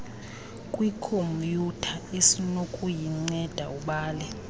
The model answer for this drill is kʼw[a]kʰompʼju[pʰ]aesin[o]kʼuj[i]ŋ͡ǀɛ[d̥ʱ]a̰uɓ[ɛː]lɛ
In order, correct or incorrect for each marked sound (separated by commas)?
incorrect, incorrect, correct, correct, correct, incorrect